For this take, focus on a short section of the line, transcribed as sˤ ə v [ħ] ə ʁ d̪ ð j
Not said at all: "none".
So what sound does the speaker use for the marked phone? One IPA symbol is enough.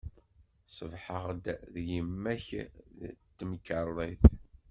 ħ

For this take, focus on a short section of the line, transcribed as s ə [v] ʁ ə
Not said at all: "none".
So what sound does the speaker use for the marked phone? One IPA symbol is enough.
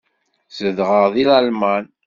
ð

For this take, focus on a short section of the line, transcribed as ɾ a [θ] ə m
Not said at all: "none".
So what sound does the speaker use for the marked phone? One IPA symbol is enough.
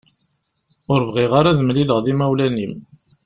ð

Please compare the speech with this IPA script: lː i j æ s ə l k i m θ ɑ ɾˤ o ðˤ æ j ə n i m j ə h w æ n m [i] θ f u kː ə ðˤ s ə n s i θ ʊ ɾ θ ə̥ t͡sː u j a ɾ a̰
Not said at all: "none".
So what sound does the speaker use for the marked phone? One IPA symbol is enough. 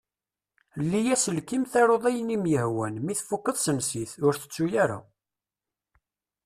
i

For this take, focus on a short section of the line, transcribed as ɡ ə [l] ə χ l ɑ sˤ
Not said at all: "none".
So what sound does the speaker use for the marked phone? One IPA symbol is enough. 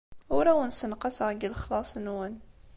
l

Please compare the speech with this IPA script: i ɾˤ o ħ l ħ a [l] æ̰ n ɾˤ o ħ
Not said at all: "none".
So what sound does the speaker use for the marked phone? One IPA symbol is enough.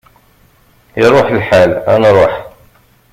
l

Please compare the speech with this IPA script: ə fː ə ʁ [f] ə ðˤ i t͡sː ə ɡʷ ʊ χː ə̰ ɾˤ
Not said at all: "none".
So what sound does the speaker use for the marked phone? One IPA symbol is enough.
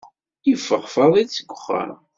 f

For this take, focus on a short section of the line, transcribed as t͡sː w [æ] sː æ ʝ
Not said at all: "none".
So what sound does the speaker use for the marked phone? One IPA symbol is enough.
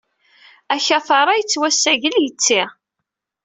æ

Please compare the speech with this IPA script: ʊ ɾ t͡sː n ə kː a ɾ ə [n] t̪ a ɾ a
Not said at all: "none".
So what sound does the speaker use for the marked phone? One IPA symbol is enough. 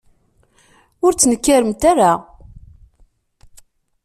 m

